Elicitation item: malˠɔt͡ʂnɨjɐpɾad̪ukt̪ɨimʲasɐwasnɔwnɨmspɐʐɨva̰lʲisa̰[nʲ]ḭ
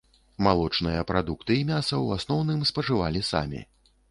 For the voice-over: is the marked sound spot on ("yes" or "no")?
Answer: no